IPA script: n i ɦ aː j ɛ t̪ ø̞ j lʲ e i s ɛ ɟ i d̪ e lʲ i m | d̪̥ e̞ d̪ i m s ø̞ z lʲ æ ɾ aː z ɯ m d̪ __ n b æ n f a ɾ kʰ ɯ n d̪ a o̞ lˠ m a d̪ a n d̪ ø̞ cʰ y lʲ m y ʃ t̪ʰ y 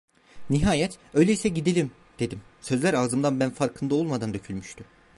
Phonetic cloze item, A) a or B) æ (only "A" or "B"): A